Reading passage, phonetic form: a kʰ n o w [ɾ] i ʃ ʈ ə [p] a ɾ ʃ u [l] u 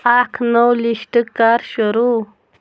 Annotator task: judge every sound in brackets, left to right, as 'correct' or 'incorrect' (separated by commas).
incorrect, incorrect, incorrect